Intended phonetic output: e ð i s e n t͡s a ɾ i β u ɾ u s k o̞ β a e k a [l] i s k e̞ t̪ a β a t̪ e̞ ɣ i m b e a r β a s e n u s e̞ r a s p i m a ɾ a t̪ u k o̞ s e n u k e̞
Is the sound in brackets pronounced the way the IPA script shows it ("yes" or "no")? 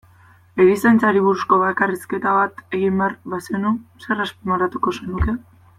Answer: no